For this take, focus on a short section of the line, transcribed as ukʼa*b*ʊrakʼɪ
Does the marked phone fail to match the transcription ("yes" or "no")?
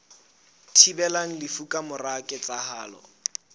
yes